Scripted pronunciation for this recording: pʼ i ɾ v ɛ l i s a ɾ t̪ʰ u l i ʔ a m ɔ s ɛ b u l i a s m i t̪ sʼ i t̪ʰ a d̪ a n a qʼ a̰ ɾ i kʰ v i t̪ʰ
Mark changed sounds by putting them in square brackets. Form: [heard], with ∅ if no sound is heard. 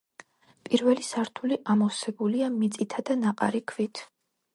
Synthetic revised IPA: pʼ i ɾ v ɛ l i s a ɾ t̪ʰ u l i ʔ a m ɔ s ɛ b u l i a [∅] m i t̪ sʼ i t̪ʰ a d̪ a n a qʼ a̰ ɾ i kʰ v i t̪ʰ